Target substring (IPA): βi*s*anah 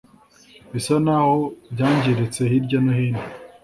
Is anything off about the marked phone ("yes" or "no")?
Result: no